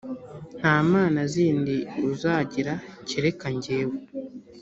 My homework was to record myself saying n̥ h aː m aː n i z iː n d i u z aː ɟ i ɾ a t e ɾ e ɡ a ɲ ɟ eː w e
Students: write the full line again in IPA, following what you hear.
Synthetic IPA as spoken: n̥ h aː m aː n a z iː n d i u z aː ɟ i ɾ a c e ɾ e k a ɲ ɟ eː w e